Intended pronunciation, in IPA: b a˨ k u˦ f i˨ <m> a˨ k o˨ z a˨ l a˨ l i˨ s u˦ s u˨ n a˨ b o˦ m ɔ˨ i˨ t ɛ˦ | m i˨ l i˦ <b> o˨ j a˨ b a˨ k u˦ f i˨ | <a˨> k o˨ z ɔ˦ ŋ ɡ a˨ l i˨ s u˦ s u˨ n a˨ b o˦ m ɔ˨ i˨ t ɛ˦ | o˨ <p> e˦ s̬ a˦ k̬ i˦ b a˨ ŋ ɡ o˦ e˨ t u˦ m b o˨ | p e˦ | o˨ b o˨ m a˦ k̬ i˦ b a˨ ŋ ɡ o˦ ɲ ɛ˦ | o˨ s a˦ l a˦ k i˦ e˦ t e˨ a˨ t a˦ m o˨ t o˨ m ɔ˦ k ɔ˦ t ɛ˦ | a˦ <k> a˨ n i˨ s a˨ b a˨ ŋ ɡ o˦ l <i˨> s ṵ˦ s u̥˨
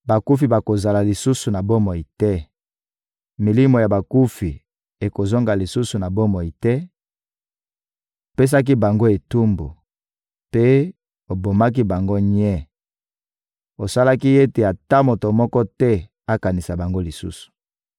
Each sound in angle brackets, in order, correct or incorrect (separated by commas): incorrect, incorrect, incorrect, correct, correct, correct